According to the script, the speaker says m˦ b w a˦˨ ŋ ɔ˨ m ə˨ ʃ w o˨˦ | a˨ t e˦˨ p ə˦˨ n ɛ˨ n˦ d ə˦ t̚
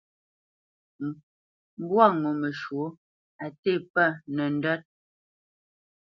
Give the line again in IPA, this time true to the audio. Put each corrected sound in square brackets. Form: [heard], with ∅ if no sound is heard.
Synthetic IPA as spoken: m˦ b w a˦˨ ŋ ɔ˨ m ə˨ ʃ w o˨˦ | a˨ t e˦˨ p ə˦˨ n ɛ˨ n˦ d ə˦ t̚